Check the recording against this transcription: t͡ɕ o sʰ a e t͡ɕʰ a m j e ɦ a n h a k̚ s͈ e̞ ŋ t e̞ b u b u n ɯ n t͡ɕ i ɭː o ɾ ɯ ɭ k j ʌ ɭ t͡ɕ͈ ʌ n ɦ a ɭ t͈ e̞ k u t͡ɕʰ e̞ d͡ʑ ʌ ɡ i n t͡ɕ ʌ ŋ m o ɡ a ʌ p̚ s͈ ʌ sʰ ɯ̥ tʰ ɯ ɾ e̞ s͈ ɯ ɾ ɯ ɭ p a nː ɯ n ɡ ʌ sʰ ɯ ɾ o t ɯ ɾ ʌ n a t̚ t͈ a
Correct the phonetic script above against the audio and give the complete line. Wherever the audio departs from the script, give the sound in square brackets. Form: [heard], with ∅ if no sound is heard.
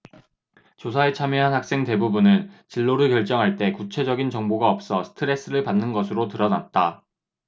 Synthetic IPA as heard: t͡ɕ o sʰ a e t͡ɕʰ a m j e ɦ a n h a k̚ s͈ e̞ ŋ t e̞ b u b u n ɯ n t͡ɕ i ɭː o ɾ ɯ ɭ k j ʌ ɭ t͡ɕ͈ ʌ [ŋ] ɦ a ɭ t͈ e̞ k u t͡ɕʰ e̞ d͡ʑ ʌ ɡ i n t͡ɕ ʌ ŋ [b] o ɡ a ʌ p̚ s͈ ʌ sʰ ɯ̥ tʰ ɯ ɾ e̞ s͈ ɯ ɾ ɯ ɭ p a nː ɯ n ɡ ʌ sʰ ɯ ɾ o t ɯ ɾ ʌ n a t̚ t͈ a